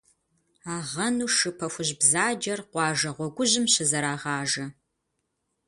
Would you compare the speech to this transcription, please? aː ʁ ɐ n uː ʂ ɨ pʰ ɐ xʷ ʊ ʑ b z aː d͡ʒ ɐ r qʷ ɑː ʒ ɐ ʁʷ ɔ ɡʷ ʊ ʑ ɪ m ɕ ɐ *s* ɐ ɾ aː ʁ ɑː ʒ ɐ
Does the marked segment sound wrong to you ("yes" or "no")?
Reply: yes